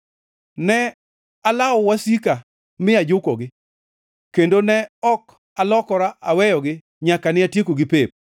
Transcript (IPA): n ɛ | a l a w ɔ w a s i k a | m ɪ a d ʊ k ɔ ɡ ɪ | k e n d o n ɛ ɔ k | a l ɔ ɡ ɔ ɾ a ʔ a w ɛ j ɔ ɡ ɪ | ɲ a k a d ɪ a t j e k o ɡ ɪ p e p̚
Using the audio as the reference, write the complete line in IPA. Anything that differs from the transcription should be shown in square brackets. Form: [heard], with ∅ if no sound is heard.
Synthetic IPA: n ɛ | a l a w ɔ w a s i k a | m ɪ a [d͡ʒ] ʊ k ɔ ɡ ɪ | k e n d o n ɛ ɔ k | a l ɔ [k] ɔ ɾ a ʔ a w ɛ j ɔ ɡ ɪ | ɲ a k a [n] ɪ a t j e k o ɡ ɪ p e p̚